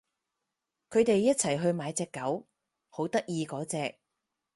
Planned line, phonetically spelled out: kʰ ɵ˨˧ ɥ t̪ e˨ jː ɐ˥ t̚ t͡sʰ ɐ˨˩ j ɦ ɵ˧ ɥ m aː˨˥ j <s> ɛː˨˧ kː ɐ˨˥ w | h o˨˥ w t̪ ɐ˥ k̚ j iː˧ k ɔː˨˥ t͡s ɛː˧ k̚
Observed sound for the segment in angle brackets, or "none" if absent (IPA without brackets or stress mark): t͡s